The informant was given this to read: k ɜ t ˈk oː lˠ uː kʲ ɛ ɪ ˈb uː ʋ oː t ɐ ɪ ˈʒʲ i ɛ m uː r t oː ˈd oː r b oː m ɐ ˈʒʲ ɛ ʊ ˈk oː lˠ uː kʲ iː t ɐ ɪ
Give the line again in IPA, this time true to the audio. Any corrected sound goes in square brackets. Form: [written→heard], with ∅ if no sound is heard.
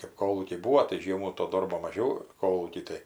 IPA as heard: k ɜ [t→p] ˈk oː lˠ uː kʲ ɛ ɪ ˈb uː ʋ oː t ɐ ɪ ˈʒʲ i ɛ m uː [r→∅] t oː ˈd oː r b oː m ɐ ˈʒʲ ɛ ʊ ˈk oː lˠ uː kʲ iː t ɐ ɪ

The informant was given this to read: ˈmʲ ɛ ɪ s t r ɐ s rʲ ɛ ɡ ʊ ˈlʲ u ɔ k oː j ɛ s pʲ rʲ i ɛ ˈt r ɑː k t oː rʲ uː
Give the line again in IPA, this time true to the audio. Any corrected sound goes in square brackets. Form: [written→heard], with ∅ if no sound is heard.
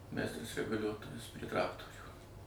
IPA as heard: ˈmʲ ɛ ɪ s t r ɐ s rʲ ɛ ɡ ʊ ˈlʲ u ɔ [k→t] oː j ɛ s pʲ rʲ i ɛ ˈt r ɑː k t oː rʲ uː

